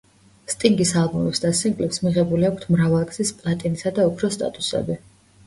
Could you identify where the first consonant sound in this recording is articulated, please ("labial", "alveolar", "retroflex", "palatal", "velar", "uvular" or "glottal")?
alveolar